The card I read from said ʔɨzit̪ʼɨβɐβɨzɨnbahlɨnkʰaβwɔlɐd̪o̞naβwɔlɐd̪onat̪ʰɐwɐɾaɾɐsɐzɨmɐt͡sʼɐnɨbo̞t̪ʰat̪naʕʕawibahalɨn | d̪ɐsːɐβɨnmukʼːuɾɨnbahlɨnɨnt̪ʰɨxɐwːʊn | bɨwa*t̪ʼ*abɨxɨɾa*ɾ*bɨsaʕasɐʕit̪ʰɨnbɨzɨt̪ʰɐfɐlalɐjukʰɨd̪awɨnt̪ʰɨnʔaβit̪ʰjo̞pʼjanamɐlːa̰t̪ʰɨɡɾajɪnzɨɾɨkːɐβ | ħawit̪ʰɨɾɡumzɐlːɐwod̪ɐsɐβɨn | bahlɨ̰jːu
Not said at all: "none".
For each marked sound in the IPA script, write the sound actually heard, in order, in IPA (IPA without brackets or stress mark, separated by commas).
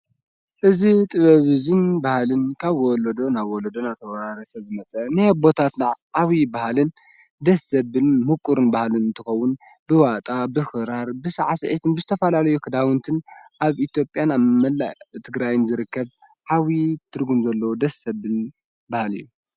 t̪ʼ, ɾ